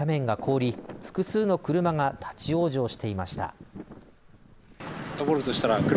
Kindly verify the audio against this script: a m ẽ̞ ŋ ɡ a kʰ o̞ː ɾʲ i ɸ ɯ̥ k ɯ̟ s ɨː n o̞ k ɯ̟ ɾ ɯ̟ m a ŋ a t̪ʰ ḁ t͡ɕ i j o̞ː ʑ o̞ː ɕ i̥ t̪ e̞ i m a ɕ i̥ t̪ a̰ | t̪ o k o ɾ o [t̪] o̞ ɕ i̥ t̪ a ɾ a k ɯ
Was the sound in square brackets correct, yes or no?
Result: yes